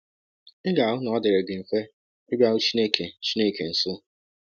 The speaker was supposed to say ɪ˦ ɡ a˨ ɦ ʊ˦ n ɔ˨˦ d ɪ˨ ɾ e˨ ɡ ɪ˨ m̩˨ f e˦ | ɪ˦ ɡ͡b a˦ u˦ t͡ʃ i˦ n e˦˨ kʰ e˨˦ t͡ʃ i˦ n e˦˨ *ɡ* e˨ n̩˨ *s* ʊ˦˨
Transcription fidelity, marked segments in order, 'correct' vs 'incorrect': incorrect: k, correct

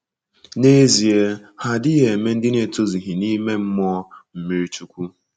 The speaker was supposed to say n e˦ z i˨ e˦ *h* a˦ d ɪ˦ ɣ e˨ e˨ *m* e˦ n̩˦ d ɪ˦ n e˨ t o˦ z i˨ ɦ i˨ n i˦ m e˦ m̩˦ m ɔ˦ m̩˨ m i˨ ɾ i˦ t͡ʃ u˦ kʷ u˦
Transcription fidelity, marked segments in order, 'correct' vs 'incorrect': correct, correct

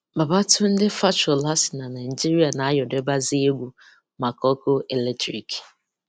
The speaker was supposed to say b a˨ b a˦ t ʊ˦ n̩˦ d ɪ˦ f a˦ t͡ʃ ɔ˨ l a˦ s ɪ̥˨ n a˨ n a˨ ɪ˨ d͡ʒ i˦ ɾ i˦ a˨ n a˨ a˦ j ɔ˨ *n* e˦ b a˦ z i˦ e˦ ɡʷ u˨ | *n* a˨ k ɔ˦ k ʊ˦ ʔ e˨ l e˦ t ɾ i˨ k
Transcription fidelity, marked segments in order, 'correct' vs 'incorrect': incorrect: d, incorrect: m

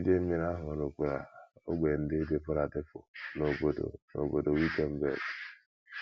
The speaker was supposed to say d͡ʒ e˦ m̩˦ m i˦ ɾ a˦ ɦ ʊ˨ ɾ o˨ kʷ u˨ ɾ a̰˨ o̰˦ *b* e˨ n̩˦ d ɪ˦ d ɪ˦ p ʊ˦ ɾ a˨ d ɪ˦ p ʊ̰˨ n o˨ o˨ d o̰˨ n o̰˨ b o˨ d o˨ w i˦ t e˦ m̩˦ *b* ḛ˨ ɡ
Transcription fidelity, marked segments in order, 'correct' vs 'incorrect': incorrect: ɡ͡b, correct

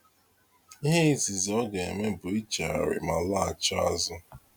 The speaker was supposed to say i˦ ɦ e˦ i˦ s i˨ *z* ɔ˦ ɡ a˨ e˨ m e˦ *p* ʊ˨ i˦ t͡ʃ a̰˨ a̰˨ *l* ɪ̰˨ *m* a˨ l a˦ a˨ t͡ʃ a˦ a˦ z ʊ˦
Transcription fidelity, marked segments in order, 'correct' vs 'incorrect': correct, incorrect: b, incorrect: ɾ, correct

